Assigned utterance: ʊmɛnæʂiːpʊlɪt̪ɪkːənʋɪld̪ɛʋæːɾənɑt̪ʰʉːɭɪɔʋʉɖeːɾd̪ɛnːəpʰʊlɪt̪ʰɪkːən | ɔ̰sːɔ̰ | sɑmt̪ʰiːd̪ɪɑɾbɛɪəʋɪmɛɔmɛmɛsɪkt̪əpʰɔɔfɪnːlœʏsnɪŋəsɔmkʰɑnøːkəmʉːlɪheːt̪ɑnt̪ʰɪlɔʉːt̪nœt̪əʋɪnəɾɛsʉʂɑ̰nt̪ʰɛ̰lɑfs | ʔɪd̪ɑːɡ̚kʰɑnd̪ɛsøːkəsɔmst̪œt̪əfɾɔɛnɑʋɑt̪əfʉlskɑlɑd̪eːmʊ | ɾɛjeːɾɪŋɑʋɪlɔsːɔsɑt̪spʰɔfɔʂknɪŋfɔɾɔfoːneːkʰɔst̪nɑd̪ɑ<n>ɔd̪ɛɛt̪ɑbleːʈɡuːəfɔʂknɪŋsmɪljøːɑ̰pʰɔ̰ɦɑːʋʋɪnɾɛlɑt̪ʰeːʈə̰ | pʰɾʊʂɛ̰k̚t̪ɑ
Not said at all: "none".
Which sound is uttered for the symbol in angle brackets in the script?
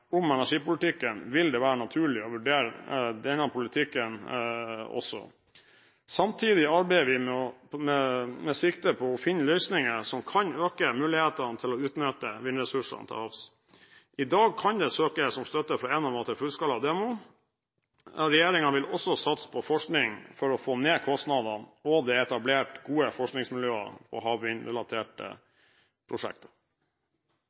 n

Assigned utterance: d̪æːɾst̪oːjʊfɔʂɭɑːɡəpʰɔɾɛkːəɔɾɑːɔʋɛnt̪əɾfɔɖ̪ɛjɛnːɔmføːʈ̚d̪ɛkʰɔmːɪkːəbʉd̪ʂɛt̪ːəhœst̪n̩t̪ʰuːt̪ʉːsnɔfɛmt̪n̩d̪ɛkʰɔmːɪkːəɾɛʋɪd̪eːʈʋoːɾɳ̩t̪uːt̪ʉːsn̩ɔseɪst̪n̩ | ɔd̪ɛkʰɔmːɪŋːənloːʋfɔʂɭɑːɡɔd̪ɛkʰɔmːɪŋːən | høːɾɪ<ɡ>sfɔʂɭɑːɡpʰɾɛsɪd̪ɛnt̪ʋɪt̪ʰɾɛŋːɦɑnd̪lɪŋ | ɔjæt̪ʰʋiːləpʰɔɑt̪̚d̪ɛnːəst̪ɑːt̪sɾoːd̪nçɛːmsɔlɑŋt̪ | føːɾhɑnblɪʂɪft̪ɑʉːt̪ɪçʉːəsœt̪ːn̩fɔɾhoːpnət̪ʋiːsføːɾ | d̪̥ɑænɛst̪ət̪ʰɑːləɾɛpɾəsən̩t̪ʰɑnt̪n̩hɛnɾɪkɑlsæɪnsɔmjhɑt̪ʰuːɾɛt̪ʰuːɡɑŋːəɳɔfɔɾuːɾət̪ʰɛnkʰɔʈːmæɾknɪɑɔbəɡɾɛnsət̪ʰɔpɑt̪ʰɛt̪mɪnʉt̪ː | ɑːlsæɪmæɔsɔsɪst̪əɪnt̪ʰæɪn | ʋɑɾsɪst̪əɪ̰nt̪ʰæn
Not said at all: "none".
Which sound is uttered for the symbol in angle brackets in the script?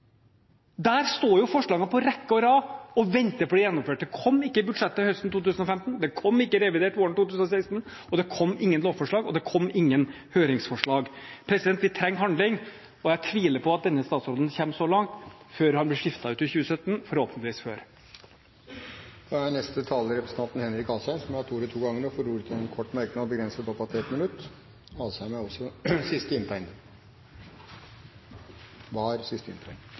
ŋ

